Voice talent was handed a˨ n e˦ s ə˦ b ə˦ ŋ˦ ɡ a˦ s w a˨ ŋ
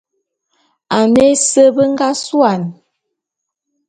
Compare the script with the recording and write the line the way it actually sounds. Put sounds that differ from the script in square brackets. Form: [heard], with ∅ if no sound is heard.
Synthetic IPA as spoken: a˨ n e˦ s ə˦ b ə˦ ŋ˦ ɡ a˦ s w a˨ [n]